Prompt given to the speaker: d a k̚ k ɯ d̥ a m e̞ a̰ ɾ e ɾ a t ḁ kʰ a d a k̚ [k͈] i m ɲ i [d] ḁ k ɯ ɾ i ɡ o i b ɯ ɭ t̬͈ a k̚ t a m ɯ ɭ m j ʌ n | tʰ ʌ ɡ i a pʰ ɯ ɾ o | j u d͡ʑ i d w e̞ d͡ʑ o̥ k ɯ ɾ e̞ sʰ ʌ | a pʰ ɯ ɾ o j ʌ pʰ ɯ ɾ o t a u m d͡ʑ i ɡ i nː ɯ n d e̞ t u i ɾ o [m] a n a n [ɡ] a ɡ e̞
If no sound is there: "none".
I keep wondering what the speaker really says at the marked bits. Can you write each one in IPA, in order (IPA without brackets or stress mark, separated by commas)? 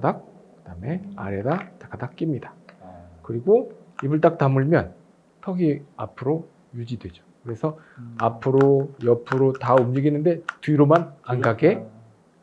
k͈, d, m, ɡ